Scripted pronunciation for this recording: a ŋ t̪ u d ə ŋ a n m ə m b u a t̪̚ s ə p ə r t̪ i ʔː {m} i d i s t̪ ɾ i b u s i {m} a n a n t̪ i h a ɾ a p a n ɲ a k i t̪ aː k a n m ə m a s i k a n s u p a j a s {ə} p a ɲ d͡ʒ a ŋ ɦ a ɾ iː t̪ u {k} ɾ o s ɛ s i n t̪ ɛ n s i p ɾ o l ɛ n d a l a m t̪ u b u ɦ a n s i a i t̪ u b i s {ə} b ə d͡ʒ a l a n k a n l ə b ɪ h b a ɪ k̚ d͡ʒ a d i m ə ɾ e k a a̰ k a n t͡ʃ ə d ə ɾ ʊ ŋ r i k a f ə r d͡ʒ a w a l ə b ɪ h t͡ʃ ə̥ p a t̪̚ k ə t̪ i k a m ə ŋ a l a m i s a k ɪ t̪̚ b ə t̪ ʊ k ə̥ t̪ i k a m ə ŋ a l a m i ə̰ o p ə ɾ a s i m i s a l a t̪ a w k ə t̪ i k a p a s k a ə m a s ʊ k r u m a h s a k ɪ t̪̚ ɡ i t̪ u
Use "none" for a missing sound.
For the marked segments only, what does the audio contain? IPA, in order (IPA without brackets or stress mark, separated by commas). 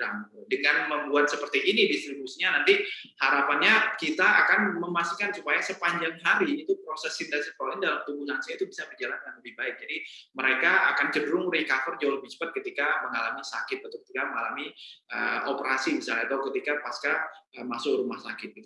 n, ɲ, ə, p, a